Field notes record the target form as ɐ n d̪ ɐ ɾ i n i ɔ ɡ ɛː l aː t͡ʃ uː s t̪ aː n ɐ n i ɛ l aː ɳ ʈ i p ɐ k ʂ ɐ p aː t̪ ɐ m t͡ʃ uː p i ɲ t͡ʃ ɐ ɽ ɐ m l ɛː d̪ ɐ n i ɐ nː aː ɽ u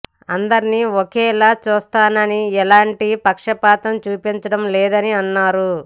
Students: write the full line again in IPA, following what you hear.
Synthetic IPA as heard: ɐ n d̪ ɐ ɾ i n i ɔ k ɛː l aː t͡ʃ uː s t̪ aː n ɐ n i ɛ l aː ɳ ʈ i p ɐ k ʂ ɐ p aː t̪ ɐ m t͡ʃ uː p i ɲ t͡ʃ ɐ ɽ ɐ m l ɛː d̪ ɐ n i ɐ nː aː ɾ u